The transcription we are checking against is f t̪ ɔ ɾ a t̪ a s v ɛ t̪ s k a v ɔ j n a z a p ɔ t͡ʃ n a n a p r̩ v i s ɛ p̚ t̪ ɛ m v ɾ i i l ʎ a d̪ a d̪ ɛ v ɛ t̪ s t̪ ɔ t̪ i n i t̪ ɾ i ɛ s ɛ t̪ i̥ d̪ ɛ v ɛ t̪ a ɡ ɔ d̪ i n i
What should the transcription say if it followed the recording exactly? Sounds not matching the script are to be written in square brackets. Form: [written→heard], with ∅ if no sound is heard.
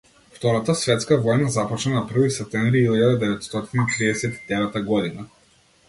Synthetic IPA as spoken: f t̪ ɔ ɾ a t̪ a s v ɛ t̪ s k a v ɔ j n a z a p ɔ t͡ʃ n a n a p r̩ v i s ɛ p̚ t̪ ɛ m v ɾ i i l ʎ a d̪ a d̪ ɛ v ɛ t̪ s t̪ ɔ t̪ i n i t̪ ɾ i ɛ s ɛ t̪ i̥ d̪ ɛ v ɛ t̪ a ɡ ɔ d̪ i n [i→a]